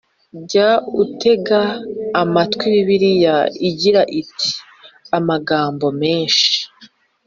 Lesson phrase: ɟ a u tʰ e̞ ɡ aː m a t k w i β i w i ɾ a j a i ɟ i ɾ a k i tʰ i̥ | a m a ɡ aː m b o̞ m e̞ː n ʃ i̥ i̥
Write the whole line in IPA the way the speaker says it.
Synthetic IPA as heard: ɟ a u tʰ e̞ ɡ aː m a t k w i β i β i ɾ i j a i ɟ i ɾ a ʔ i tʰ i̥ | a m a ɡ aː m b o̞ m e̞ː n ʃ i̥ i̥